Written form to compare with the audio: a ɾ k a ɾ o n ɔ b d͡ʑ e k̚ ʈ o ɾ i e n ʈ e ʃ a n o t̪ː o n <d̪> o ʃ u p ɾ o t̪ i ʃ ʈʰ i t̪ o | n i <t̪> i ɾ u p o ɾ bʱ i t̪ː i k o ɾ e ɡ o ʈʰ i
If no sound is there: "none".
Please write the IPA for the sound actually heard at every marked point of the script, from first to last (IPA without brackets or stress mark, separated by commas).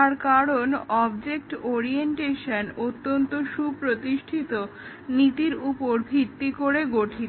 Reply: t̪, t̪